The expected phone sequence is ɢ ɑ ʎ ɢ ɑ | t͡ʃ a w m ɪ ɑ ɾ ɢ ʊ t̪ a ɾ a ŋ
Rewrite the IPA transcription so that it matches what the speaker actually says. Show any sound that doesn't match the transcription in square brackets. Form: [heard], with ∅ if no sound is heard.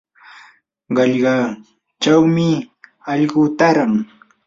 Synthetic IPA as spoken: ɢ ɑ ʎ ɢ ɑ | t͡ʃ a w m ɪ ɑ [ʎ] ɢ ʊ t̪ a ɾ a ŋ